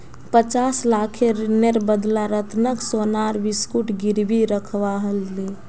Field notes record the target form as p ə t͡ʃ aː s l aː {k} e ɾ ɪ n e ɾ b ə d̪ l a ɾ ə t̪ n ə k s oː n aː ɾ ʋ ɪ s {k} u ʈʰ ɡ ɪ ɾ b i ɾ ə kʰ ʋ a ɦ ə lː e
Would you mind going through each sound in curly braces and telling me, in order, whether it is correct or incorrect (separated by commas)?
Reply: incorrect, correct